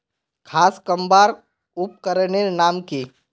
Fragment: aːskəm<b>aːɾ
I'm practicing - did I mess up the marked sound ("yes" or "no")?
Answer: no